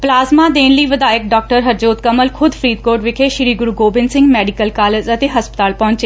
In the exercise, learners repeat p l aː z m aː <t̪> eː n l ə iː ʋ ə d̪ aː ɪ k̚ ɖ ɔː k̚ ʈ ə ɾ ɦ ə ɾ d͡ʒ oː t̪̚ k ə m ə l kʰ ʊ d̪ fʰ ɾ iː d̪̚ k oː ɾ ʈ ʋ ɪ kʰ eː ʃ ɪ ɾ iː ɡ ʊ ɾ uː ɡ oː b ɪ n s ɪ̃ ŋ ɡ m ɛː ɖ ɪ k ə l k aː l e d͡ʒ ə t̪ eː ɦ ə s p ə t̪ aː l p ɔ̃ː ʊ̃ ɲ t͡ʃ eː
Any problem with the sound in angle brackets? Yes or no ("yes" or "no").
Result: yes